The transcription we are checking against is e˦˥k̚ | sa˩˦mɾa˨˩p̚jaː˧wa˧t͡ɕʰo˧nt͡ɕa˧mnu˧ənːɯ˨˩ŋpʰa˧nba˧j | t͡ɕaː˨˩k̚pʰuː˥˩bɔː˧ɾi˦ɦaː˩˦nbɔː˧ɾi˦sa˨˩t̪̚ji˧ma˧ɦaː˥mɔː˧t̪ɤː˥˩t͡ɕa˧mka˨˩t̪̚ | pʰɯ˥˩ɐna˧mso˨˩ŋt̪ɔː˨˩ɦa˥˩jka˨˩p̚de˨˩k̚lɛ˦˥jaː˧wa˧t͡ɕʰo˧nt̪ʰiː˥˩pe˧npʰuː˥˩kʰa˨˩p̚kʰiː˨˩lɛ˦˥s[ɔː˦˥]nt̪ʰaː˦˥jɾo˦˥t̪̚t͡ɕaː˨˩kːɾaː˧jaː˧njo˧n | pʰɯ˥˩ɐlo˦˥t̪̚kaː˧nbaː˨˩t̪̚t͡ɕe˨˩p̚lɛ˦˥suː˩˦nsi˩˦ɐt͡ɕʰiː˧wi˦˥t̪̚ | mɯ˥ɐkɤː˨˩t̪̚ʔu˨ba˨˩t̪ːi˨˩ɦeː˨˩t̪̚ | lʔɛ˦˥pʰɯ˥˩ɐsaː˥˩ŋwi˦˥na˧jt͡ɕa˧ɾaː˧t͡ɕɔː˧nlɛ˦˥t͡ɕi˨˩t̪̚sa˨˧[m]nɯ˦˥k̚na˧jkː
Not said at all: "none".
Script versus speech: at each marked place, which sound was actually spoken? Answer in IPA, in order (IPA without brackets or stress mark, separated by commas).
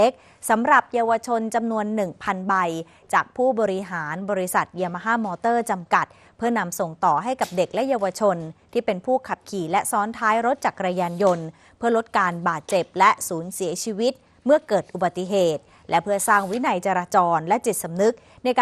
ɔː˦˥, m